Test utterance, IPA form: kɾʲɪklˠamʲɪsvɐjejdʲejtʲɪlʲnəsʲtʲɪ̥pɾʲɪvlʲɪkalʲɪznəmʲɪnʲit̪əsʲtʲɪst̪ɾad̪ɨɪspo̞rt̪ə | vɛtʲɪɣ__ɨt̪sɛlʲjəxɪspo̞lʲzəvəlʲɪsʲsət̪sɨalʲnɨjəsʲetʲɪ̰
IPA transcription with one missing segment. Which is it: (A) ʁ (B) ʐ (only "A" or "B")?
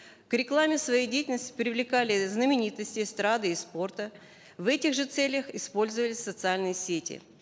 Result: B